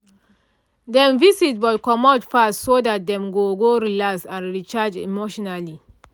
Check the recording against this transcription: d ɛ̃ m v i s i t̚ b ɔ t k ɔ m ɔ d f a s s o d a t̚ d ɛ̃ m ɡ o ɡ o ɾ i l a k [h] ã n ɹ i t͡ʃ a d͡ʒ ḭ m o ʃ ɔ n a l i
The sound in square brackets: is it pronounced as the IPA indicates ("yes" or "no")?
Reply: no